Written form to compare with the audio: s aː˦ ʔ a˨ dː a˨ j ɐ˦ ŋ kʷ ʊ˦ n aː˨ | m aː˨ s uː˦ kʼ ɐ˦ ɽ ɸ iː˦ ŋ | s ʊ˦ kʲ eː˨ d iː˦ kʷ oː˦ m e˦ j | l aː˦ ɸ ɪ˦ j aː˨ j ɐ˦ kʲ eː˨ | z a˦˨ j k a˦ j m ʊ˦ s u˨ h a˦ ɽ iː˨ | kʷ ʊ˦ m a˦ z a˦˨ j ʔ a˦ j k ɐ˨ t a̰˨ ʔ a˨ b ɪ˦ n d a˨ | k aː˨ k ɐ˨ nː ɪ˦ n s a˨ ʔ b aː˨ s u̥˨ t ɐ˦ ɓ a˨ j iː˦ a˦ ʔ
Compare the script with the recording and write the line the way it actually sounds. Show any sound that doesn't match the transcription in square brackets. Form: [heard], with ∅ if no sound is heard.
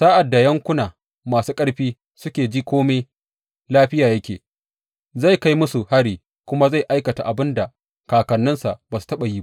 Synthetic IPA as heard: s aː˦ ʔ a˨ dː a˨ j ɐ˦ ŋ kʷ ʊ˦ n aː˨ | m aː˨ s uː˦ kʼ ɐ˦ ɽ ɸ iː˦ [∅] | s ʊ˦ kʲ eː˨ [d͡ʒ] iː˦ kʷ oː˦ m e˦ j | l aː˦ ɸ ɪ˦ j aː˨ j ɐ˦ kʲ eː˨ | z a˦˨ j k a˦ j m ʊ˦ s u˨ h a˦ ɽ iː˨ | kʷ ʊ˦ m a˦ z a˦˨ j ʔ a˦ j k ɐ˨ t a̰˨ ʔ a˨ b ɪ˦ n d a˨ | k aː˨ k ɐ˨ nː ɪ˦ n s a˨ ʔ b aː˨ s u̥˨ t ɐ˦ ɓ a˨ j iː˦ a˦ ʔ